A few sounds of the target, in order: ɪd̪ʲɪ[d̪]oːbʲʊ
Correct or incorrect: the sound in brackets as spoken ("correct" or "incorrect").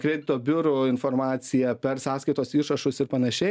incorrect